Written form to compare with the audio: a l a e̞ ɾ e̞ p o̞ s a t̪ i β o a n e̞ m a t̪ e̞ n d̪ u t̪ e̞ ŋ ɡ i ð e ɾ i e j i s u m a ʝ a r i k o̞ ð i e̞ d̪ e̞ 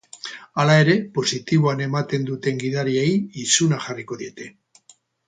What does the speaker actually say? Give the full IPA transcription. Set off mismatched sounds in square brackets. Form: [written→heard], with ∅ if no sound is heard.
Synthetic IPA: a l a e̞ ɾ e̞ p o̞ s [a→i] t̪ i β o a n e̞ m a t̪ e̞ n d̪ u t̪ e̞ ŋ ɡ i ð [e→a] ɾ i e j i s u [m→n] a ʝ a r i k o̞ ð i e̞ [d̪→t̪] e̞